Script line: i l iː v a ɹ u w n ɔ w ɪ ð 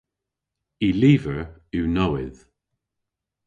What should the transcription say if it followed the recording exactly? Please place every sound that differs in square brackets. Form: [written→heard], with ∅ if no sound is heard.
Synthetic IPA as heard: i l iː v [a→ə] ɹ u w n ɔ w ɪ ð